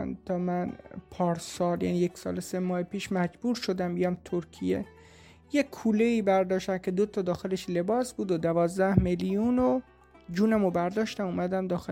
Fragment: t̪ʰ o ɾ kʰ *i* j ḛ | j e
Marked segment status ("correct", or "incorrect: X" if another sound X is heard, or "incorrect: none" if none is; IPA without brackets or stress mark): correct